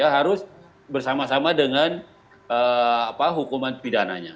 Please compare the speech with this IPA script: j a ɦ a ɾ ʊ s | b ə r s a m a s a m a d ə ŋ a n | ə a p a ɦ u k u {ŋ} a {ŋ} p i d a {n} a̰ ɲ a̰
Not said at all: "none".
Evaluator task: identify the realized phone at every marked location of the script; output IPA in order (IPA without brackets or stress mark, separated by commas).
m, n, n